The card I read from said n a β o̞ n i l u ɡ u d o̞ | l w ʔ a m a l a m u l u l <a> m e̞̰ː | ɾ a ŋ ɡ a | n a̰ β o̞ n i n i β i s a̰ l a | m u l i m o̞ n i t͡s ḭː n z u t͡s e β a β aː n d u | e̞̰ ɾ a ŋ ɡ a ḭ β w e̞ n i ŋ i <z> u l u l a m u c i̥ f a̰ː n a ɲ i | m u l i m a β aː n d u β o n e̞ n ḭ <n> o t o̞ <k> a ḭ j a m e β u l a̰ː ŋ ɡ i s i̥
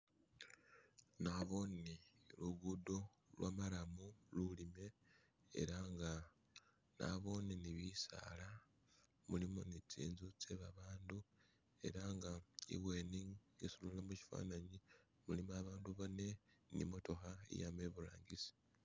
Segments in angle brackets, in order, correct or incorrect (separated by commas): incorrect, incorrect, incorrect, incorrect